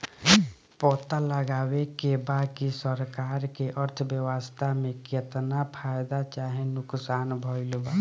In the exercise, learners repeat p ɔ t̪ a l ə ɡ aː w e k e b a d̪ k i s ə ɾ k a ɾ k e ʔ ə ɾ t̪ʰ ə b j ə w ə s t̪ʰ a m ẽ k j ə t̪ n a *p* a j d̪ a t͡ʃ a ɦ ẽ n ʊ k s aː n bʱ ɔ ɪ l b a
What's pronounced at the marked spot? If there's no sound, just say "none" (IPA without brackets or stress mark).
pʰ